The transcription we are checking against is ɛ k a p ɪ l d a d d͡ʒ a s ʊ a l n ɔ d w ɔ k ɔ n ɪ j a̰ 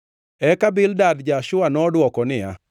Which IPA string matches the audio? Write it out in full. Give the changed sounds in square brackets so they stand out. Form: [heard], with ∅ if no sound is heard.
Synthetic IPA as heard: ɛ k a [b] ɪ l d a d d͡ʒ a [ʃ] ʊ a [∅] n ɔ d w ɔ k ɔ n ɪ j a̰